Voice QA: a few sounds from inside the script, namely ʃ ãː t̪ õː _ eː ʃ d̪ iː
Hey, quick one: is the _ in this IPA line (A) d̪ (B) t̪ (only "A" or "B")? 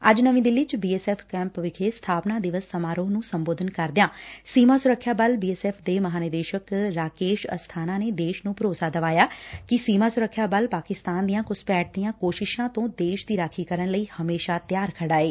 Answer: A